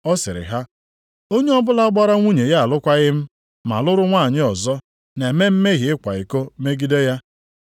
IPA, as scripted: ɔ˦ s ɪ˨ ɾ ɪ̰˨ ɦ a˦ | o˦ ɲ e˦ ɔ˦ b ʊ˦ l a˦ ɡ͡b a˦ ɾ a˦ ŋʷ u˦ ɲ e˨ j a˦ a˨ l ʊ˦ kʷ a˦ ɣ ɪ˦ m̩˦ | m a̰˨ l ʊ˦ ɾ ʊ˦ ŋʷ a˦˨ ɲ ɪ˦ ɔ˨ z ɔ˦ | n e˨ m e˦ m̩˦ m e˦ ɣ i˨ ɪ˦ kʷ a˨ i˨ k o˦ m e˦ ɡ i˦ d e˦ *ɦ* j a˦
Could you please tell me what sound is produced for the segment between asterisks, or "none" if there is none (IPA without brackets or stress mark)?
none